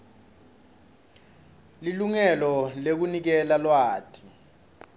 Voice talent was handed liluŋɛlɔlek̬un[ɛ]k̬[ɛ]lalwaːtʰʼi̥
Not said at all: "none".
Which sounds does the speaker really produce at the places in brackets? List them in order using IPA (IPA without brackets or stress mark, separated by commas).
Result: i, ɛ